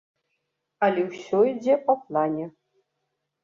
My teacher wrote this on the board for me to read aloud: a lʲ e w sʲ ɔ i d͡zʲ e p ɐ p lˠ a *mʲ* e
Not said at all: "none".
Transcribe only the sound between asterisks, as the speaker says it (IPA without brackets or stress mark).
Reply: nʲ